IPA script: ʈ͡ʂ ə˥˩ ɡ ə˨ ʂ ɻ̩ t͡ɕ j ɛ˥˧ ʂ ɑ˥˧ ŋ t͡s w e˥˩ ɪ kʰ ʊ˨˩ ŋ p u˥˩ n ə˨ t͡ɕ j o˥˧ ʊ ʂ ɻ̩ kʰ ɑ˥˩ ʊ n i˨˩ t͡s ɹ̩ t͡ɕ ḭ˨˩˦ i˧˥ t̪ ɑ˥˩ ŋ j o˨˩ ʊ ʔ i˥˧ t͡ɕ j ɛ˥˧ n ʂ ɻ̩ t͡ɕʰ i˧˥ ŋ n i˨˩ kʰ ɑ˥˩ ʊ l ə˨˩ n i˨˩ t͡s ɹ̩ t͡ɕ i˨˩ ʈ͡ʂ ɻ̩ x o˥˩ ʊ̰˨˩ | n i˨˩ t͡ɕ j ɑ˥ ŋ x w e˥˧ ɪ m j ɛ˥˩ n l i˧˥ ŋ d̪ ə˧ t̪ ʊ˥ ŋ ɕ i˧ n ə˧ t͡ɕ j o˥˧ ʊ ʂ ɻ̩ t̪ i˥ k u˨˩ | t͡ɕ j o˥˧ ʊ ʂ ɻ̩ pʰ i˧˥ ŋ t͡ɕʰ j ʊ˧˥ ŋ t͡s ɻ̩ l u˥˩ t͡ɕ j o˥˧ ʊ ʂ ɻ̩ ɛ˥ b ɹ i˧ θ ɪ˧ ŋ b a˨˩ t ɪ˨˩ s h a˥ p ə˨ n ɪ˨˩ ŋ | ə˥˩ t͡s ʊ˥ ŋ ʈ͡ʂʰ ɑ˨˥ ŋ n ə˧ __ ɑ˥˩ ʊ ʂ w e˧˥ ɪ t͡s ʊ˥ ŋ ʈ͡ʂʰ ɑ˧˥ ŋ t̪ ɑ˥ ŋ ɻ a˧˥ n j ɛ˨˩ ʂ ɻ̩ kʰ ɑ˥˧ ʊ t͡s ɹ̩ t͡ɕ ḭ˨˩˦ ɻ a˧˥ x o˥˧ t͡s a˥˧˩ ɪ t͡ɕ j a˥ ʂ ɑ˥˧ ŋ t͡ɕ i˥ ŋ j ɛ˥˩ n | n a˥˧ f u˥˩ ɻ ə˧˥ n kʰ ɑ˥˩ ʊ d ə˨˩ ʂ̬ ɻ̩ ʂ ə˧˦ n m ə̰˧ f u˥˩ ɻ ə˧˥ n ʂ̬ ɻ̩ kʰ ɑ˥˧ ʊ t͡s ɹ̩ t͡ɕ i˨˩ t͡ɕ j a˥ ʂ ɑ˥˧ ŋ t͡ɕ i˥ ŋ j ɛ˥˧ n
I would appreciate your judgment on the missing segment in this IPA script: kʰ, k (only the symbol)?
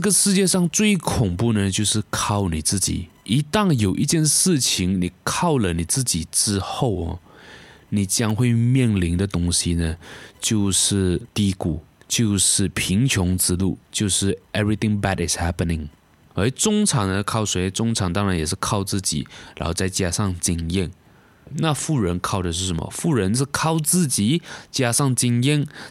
kʰ